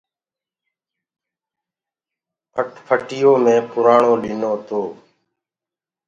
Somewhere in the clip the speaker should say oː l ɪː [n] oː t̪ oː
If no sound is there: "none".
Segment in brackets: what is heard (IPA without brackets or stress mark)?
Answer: n